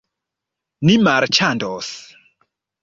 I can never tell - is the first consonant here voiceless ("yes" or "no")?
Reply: no